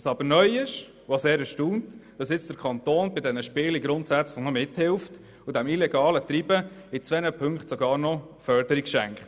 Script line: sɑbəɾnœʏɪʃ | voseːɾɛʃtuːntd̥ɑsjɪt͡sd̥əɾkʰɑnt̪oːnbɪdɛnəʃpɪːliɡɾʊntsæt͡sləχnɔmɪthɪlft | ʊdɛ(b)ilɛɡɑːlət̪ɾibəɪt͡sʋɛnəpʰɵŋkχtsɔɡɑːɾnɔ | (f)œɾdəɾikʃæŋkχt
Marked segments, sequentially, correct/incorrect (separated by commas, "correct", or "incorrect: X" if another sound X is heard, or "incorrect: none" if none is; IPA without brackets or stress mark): incorrect: m, correct